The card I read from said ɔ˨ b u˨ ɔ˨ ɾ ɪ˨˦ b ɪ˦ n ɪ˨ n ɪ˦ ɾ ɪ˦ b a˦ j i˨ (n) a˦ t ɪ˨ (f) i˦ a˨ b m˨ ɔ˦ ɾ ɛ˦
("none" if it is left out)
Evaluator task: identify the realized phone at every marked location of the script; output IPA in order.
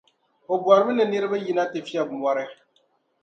n, f

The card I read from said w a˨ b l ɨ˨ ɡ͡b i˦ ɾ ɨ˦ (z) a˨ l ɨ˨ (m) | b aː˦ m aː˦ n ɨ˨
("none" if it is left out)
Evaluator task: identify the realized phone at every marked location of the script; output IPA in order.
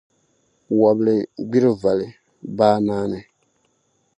v, none

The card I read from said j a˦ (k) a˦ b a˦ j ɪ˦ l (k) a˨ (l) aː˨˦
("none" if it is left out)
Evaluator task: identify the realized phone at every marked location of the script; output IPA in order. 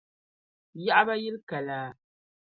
ʔ, k, l

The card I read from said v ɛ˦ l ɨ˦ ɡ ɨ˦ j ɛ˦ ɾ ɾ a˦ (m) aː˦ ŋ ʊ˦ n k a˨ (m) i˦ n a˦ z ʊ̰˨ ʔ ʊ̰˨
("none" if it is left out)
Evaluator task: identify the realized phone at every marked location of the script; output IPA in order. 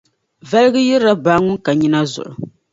b, ɲ

